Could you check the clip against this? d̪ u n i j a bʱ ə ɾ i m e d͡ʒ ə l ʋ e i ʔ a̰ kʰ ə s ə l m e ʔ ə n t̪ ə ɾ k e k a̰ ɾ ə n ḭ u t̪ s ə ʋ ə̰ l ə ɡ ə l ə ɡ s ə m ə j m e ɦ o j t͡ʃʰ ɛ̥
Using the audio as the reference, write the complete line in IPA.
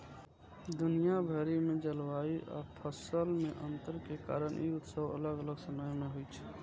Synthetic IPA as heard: d̪ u n i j a bʱ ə ɾ i m e d͡ʒ ə l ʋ a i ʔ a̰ pʰ ə s ə l m e ʔ ə n t̪ ə ɾ k e k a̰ ɾ ə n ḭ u t̪ s ə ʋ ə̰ l ə ɡ ə l ə ɡ s ə m ə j m e ɦ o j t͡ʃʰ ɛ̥